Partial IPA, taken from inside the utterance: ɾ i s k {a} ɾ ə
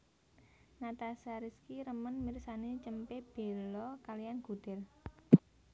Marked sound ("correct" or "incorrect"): incorrect